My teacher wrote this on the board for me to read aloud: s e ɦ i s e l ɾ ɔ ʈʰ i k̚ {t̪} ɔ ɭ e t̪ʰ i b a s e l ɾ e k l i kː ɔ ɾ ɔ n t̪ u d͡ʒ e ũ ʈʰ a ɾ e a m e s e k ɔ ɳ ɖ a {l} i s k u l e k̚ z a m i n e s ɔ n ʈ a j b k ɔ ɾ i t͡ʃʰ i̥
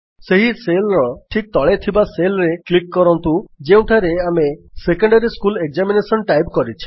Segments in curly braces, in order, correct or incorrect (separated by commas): correct, incorrect